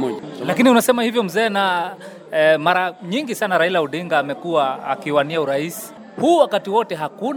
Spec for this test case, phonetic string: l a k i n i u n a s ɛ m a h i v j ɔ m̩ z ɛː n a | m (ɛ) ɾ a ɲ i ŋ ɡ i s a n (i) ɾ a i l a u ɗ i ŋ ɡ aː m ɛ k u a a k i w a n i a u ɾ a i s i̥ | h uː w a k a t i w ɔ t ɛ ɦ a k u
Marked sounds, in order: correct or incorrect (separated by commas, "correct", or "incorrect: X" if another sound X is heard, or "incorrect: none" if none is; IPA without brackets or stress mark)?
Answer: incorrect: a, incorrect: a